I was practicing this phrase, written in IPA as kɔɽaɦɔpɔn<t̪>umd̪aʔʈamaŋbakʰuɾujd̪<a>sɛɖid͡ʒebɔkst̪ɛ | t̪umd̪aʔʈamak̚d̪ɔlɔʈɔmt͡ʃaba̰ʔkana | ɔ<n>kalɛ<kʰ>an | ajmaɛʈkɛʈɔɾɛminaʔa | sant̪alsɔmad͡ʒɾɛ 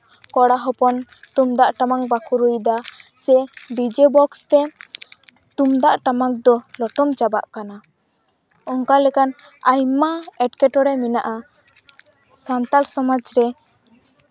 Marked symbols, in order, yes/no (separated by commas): yes, yes, no, no